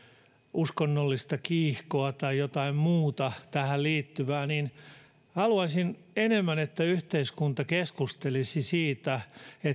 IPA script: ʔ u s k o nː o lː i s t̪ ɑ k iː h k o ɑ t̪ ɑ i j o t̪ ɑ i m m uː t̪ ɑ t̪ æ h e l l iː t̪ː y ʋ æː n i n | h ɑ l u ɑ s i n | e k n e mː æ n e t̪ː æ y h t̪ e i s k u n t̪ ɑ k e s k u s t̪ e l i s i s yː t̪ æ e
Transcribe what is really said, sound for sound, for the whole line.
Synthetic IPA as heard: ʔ u s k o nː o lː i s t̪ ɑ k iː h k o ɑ t̪ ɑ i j o t̪ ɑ i m m uː t̪ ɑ t̪ æ h æ l l iː t̪ː y ʋ æː n i n | h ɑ l u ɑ s i n | e n e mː æ n e t̪ː æ y h t̪ e i s k u n t̪ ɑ k e s k u s t̪ e l i s i s iː t̪ æ e